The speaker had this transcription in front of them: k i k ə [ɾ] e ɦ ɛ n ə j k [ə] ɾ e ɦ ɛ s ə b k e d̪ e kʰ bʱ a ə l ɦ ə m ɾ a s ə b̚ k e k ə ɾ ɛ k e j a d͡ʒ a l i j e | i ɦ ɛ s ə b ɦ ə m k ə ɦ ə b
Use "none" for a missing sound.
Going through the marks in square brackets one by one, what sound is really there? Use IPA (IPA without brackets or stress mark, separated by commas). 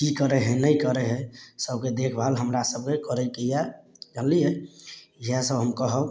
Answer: ɾ, ə